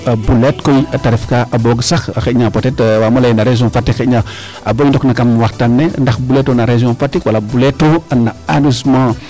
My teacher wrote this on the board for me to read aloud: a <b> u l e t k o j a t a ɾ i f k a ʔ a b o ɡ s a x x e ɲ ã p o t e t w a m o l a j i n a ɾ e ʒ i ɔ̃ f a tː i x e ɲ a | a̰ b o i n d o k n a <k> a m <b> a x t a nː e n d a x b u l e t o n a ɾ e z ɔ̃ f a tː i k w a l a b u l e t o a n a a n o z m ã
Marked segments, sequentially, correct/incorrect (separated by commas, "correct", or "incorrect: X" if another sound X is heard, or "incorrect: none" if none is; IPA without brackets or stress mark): correct, correct, incorrect: w